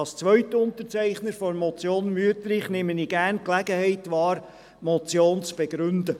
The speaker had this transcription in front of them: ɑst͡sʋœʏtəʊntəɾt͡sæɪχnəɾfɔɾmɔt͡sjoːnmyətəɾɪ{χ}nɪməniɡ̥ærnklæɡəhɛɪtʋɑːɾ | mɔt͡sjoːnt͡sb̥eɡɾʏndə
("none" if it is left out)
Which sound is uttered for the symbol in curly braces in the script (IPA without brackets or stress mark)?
χ